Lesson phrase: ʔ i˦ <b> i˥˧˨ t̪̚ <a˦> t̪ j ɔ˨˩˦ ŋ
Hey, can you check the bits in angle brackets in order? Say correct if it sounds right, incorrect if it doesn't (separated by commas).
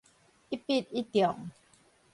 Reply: incorrect, incorrect